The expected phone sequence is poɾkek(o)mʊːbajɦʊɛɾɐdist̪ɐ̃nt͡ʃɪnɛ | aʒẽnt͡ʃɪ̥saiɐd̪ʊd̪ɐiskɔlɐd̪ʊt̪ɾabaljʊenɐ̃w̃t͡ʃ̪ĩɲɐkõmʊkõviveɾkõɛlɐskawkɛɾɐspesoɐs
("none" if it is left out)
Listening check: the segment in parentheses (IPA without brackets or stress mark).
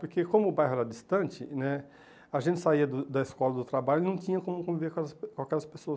õ